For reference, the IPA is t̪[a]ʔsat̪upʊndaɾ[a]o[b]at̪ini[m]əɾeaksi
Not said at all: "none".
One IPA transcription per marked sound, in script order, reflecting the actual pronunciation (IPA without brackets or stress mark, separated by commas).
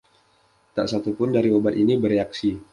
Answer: a, i, b, b